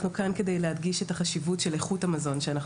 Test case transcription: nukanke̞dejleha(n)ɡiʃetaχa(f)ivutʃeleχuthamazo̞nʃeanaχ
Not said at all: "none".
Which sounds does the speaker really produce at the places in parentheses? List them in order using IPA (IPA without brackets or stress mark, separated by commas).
d, ʃ